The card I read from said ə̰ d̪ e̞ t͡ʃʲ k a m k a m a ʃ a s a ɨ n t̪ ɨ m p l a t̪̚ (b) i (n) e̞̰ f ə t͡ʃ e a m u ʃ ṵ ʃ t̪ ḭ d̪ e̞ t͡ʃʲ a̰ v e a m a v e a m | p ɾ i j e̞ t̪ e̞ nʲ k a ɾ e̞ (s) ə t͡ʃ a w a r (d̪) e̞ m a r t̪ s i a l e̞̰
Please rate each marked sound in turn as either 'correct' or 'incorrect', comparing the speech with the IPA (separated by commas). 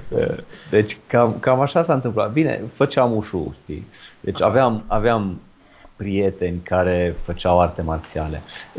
correct, correct, incorrect, incorrect